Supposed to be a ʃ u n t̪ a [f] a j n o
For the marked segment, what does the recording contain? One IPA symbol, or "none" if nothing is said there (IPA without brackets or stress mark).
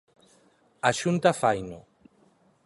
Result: f